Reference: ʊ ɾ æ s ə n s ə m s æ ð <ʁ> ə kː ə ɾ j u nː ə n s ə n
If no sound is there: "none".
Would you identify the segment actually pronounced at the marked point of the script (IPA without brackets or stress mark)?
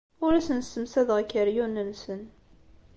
ʁ